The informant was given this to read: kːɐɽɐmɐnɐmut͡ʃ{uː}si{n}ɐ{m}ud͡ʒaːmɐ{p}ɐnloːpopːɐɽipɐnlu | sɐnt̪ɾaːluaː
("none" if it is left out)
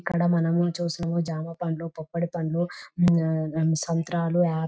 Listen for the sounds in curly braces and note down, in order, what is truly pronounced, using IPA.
uː, n, m, p

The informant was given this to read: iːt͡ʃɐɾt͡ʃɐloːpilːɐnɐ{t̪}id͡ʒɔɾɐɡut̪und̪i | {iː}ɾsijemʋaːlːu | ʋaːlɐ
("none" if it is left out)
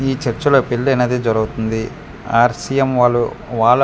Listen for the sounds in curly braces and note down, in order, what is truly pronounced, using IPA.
d̪, aː

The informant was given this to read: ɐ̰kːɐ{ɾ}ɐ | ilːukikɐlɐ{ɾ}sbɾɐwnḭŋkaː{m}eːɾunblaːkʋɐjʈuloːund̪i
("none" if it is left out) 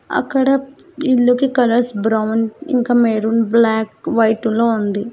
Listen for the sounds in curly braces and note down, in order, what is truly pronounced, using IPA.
ɽ, ɾ, m

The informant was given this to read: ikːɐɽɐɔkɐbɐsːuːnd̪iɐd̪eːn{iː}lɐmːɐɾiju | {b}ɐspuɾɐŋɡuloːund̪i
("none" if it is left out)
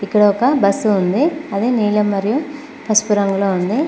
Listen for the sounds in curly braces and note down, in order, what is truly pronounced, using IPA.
iː, p

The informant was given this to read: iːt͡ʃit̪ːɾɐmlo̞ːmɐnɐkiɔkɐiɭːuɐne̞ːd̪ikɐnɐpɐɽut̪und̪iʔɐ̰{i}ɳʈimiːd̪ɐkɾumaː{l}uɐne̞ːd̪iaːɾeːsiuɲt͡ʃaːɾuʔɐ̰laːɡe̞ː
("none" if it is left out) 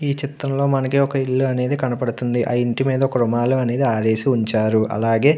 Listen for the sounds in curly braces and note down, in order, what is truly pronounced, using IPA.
i, l

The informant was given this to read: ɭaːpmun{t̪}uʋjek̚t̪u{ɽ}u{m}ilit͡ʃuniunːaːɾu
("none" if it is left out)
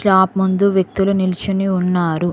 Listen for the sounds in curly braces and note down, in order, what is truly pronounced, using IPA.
d̪, l, n

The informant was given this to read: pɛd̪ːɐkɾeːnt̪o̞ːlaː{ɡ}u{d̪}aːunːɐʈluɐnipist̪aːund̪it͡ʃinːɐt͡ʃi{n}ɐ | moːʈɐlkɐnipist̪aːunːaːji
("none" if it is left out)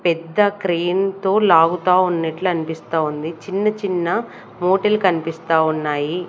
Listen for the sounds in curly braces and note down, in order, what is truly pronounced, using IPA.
ɡ, t̪, nː

